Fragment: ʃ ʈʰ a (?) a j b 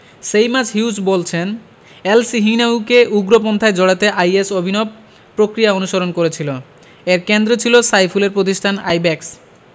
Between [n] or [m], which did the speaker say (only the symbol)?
n